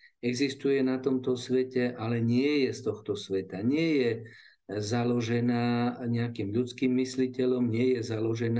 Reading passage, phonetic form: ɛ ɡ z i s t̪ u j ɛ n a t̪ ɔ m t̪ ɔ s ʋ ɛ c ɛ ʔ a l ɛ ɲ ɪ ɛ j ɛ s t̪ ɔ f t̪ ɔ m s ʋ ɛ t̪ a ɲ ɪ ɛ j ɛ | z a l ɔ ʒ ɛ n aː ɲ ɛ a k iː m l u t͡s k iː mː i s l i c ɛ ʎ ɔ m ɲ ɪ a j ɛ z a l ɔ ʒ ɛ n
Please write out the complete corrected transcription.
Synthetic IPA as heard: ɛ ɡ z i s t̪ u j ɛ n a t̪ ɔ m t̪ ɔ s ʋ ɛ c ɛ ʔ a l ɛ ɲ ɪ ɛ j ɛ s t̪ ɔ x t̪ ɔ s ʋ ɛ t̪ a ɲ ɪ ɛ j ɛ | z a l ɔ ʒ ɛ n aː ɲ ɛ a k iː m ʎ u t͡s k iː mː i s l i c ɛ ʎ ɔ m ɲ ɪ ɛ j ɛ z a l ɔ ʒ ɛ n